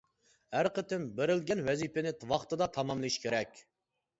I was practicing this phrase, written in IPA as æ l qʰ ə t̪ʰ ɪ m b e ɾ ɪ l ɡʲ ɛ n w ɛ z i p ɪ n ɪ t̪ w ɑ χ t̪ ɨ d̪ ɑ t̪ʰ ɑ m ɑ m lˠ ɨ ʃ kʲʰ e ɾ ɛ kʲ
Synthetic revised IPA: æ ɾ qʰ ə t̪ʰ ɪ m b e ɾ ɪ l ɡʲ ɛ n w ɛ z i p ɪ n ɪ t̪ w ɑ χ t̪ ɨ d̪ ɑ t̪ʰ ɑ m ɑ m lˠ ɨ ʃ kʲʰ e ɾ ɛ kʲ